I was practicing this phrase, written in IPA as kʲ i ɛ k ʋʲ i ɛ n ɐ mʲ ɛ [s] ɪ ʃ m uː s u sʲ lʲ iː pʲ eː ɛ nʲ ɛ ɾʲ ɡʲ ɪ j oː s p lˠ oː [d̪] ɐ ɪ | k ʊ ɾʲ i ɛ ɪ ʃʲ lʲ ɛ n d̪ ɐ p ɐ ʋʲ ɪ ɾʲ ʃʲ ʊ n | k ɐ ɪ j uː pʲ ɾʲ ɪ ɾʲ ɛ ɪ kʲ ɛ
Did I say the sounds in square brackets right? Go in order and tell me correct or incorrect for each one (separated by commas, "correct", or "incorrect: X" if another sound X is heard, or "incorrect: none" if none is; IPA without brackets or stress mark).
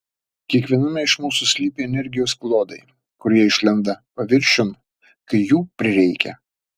incorrect: none, correct